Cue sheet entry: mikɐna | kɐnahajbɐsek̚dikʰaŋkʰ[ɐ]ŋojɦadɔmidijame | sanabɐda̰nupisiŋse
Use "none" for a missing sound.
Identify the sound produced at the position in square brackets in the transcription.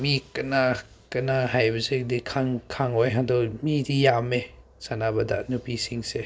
a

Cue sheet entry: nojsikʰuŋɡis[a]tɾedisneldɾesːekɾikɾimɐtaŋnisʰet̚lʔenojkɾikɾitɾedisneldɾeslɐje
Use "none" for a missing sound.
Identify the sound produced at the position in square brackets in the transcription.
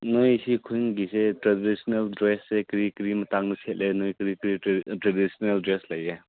e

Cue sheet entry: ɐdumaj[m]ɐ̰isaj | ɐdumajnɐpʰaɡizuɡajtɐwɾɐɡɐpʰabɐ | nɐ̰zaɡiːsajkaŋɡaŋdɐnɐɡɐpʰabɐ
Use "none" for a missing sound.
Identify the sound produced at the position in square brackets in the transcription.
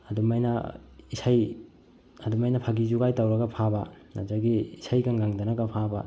n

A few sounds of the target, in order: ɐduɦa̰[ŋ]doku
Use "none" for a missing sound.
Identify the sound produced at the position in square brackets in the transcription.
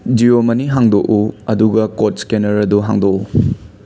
ŋ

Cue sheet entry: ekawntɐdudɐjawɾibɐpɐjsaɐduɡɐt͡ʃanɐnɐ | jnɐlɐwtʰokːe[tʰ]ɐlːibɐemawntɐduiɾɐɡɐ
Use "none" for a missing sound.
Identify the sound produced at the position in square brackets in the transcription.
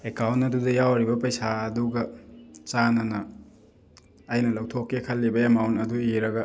kʰ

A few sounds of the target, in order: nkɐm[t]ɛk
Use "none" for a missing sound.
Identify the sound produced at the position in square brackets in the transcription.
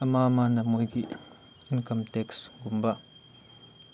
t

